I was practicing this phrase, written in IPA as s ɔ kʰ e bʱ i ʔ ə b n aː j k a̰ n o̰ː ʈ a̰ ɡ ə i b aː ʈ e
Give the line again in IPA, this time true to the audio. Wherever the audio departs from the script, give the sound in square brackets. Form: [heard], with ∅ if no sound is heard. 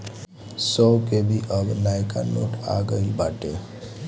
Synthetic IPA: s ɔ [k] e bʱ i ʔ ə b n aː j k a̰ n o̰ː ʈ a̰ ɡ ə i b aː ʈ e